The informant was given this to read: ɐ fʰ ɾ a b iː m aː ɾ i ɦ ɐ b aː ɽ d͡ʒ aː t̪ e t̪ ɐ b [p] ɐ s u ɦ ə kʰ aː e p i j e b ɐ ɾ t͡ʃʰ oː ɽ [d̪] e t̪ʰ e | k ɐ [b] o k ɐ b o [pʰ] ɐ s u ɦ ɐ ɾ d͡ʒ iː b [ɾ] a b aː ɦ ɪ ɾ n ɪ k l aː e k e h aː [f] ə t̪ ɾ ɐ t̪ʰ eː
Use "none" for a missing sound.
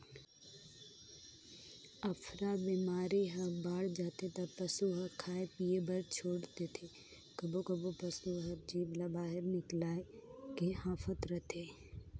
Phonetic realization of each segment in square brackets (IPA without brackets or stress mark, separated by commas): p, t̪, b, p, l, f